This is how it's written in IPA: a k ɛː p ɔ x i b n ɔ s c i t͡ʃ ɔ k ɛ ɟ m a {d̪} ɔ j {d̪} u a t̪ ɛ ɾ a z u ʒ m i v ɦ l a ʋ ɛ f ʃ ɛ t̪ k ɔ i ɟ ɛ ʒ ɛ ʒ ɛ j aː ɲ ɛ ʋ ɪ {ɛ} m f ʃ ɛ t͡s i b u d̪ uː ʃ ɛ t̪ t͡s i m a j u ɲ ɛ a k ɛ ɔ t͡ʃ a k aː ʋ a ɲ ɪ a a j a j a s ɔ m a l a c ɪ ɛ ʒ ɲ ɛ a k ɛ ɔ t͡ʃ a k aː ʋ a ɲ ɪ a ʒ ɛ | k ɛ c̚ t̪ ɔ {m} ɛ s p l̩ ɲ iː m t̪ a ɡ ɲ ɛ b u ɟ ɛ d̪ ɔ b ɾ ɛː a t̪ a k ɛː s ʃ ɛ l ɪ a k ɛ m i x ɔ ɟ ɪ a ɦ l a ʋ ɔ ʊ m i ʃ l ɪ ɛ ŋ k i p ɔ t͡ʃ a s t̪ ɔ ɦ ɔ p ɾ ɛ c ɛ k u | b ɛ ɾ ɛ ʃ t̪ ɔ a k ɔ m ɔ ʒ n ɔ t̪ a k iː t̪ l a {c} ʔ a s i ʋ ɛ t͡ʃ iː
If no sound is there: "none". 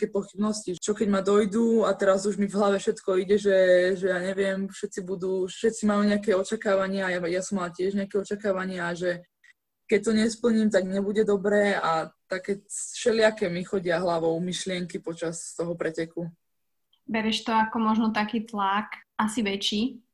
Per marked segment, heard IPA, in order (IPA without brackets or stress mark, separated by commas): d̪, d̪, ɛ, ɲ, k